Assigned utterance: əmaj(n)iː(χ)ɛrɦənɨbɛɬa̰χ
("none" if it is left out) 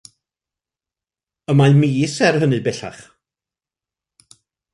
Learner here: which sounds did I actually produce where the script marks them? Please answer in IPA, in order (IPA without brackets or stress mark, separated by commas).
m, s